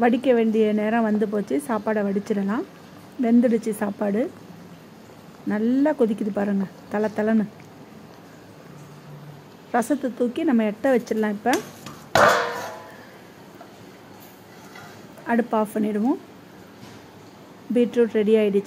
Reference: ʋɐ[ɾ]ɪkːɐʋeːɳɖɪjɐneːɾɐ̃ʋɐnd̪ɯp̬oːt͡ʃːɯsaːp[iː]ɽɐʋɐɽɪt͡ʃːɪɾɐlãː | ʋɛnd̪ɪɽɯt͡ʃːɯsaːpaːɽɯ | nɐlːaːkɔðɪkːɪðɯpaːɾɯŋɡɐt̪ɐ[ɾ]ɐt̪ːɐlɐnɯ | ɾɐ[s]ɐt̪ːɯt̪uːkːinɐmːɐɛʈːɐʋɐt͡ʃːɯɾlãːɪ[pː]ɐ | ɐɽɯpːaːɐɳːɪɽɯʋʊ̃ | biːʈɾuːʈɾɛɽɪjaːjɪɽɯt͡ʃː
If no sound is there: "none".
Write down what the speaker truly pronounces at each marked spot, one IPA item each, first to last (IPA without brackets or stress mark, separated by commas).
ɽ, aː, l, s, pː